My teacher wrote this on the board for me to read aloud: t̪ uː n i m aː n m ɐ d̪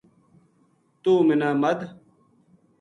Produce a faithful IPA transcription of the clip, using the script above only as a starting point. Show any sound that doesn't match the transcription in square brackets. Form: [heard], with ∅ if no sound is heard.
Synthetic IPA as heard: t̪ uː [m] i [n] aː [∅] m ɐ d̪